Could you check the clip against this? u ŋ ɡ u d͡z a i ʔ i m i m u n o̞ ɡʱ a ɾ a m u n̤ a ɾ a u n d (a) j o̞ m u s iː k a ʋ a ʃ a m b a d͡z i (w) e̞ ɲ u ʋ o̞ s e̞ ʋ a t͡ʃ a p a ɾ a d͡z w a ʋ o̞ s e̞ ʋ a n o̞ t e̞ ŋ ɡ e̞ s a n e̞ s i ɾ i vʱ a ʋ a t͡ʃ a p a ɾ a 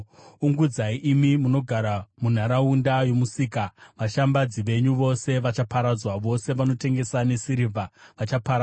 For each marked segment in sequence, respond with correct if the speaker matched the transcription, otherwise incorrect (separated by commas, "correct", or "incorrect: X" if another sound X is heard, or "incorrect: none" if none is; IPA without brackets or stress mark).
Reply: correct, incorrect: ʋ